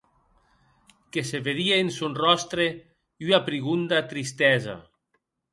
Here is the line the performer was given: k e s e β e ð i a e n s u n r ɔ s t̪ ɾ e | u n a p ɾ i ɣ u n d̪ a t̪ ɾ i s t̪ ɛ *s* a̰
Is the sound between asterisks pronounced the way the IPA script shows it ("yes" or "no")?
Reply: no